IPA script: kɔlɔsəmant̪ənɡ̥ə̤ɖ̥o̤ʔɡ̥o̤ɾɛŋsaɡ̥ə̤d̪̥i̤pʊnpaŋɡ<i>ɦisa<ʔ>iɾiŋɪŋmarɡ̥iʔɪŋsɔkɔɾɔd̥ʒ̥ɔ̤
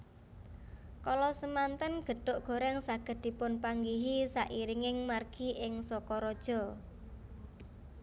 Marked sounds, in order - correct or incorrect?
correct, correct

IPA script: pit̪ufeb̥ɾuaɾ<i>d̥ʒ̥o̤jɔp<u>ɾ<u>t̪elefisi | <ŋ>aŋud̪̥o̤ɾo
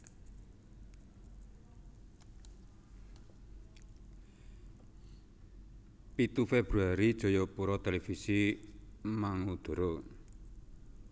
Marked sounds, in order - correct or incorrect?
correct, correct, incorrect: ɔ, incorrect: m

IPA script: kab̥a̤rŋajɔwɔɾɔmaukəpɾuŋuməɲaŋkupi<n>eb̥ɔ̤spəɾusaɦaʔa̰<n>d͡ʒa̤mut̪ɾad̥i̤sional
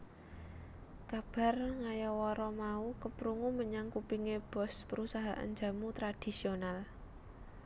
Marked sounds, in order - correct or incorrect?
incorrect: ŋ, correct

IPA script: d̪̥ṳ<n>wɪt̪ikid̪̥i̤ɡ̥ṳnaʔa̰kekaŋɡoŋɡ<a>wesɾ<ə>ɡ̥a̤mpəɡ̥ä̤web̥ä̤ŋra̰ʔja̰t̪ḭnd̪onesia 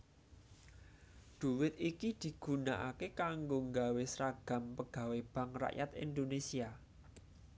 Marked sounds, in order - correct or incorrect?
incorrect: none, correct, incorrect: a

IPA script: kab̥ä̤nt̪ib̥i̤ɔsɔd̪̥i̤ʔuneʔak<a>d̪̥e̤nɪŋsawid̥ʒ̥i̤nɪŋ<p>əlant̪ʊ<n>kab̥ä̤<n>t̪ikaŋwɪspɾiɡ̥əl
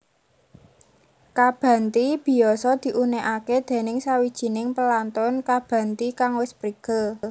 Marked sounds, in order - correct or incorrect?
incorrect: e, correct, correct, correct

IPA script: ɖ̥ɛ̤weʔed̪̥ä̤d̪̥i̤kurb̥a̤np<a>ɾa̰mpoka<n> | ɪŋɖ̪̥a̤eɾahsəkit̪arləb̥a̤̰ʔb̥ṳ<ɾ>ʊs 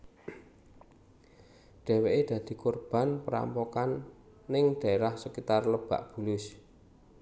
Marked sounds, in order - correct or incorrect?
incorrect: ə, incorrect: nː, incorrect: l

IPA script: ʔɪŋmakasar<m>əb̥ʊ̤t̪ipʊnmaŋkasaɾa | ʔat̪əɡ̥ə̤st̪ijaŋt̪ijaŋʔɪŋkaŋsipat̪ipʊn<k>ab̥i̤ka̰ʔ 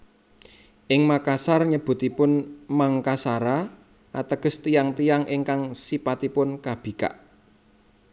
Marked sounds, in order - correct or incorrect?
incorrect: ɲ, correct

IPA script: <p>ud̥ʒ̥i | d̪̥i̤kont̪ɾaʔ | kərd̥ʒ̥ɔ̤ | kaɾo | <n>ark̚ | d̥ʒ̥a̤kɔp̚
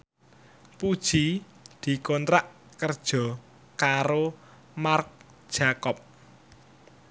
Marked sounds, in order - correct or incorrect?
correct, incorrect: m

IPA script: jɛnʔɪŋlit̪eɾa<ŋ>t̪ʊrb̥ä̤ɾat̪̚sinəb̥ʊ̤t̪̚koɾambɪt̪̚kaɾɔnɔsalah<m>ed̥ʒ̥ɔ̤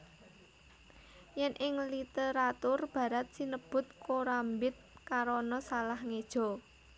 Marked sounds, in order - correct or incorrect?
incorrect: none, incorrect: ŋ

